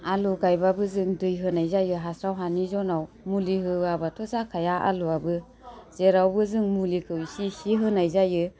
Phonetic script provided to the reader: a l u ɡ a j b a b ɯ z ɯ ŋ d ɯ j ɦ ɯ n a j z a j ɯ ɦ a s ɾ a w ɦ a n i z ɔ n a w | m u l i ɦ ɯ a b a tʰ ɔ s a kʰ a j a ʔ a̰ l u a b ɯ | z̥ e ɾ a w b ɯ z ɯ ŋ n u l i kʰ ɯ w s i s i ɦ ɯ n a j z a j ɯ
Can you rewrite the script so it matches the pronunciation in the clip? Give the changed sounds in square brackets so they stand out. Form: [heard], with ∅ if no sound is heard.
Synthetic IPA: a l u ɡ a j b a b ɯ z ɯ ŋ d ɯ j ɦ ɯ n a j z a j ɯ ɦ a s ɾ a w ɦ a n i z ɔ n a w | m u l i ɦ ɯ a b a tʰ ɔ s a kʰ a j a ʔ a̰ l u a b ɯ | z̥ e ɾ a w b ɯ z ɯ ŋ [m] u l i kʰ ɯ w s i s i ɦ ɯ n a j z a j ɯ